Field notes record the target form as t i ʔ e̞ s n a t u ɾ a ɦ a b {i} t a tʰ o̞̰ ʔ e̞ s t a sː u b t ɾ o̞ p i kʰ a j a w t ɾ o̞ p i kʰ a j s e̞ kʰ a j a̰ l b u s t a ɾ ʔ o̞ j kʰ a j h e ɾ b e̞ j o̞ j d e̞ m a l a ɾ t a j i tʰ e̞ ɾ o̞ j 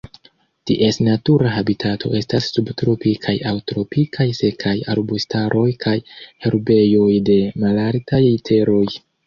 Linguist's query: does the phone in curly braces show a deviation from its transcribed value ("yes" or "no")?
no